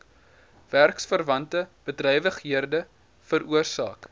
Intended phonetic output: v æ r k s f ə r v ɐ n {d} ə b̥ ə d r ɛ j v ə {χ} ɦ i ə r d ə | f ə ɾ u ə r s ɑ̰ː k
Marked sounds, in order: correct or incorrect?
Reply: incorrect: t, correct

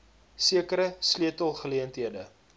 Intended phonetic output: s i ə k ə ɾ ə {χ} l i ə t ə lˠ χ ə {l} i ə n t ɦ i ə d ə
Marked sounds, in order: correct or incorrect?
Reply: incorrect: s, correct

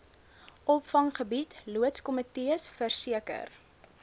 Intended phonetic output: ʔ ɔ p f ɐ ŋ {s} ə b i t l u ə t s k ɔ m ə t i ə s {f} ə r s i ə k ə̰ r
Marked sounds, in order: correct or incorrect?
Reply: incorrect: χ, correct

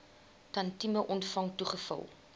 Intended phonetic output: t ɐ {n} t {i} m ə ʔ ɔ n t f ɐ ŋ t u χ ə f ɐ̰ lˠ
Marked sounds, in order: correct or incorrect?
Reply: correct, correct

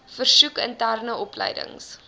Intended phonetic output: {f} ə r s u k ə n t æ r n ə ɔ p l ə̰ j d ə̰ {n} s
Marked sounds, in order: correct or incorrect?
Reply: correct, incorrect: ŋ

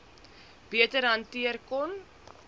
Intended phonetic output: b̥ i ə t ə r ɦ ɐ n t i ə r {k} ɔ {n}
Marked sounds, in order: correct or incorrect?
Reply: correct, correct

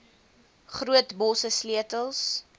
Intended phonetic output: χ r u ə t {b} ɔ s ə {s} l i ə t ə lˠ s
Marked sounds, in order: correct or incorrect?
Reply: correct, correct

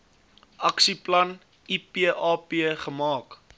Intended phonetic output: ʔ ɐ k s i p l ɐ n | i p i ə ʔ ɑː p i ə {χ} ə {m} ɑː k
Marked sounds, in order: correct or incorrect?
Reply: correct, correct

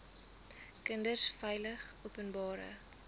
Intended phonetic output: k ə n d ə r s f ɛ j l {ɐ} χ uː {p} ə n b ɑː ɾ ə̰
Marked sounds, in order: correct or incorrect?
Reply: incorrect: ə, correct

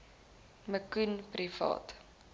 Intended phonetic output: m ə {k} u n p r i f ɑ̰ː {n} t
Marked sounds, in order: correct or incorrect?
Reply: correct, incorrect: none

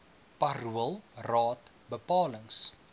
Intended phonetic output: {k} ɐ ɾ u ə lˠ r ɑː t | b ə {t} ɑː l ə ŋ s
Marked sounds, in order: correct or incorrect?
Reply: incorrect: p, incorrect: p

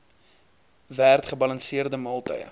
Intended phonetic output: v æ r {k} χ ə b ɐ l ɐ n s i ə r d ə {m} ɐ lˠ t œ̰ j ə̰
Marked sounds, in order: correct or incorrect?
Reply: incorrect: t, correct

